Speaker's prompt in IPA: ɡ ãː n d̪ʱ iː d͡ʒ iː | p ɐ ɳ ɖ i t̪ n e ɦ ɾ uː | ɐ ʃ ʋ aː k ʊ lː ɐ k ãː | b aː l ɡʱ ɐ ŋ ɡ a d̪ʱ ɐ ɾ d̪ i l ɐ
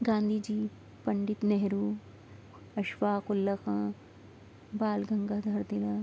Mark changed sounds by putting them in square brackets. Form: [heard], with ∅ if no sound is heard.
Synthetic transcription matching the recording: ɡ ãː n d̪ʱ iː d͡ʒ iː | p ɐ ɳ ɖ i t̪ n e ɦ ɾ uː | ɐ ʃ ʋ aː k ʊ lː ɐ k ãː | b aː l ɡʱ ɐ ŋ ɡ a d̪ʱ ɐ ɾ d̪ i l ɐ